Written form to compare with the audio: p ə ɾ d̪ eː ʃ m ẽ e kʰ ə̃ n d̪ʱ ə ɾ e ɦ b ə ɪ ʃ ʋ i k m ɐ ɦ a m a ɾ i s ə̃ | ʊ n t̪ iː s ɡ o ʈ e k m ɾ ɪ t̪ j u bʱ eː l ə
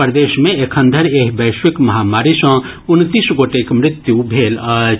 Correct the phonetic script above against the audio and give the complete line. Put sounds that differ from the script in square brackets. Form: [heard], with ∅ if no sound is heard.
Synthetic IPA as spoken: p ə ɾ d̪ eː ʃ m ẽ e kʰ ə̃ n d̪ʱ ə ɾ e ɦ b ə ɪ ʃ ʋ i k m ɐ ɦ a m a ɾ i s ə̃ | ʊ n t̪ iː s ɡ o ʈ e k m ɾ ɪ t̪ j u bʱ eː l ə